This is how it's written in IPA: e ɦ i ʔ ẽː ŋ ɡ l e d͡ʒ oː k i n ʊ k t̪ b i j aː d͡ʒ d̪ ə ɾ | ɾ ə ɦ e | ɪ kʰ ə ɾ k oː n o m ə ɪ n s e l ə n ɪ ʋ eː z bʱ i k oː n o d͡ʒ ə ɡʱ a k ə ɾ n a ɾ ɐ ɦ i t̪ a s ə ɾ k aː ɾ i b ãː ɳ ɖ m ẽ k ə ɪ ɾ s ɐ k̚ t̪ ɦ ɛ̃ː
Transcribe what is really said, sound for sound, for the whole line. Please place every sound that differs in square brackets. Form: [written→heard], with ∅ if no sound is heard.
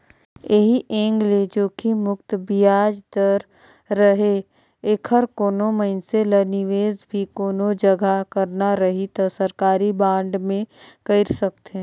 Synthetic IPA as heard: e ɦ i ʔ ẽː ŋ ɡ l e d͡ʒ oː k i [n→m] ʊ k t̪ b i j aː d͡ʒ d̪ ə ɾ | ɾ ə ɦ e | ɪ kʰ ə ɾ k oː n o m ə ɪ n s e l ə n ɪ ʋ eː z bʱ i k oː n o d͡ʒ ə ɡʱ a k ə ɾ n a ɾ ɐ ɦ i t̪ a s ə ɾ k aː ɾ i b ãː ɳ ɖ m ẽ k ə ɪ ɾ s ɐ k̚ t̪ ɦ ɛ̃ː